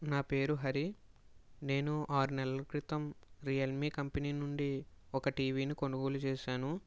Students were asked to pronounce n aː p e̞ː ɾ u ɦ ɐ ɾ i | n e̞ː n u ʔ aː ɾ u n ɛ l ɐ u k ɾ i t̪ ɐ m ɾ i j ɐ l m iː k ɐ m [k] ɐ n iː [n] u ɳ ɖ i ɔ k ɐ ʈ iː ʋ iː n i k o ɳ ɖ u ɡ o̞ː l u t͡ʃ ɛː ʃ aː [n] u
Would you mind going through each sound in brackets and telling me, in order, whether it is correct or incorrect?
incorrect: p, correct, correct

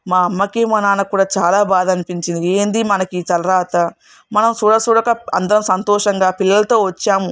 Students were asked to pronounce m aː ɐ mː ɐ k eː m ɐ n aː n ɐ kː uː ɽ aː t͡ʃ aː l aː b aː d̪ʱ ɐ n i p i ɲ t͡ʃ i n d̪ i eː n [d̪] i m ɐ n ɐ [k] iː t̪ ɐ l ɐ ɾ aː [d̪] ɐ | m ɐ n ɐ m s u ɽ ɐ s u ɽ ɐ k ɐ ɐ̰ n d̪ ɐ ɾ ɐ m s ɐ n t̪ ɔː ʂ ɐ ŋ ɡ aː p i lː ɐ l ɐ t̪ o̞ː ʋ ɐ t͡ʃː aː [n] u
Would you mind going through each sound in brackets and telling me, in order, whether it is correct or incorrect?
correct, correct, incorrect: t̪, incorrect: m

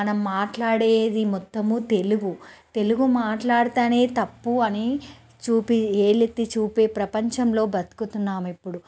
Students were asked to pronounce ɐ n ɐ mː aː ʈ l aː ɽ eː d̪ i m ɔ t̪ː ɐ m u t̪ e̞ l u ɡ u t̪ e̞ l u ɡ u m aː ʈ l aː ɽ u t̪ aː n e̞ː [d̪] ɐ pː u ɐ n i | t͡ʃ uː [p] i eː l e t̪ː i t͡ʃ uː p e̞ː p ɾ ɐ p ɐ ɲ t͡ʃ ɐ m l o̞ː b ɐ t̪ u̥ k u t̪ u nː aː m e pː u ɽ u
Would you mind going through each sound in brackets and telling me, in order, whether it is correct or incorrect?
incorrect: t̪, correct

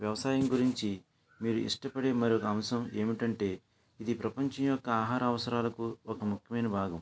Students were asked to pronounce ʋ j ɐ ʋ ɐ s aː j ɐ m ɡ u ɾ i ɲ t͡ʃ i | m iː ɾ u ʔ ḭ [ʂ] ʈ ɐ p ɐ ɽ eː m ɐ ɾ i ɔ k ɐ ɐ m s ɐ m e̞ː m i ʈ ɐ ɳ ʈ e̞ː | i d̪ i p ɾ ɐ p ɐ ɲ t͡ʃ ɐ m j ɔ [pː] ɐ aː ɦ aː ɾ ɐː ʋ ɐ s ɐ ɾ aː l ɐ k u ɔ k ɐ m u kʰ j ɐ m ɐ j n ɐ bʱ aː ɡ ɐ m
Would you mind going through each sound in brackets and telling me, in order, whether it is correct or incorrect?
correct, incorrect: kː

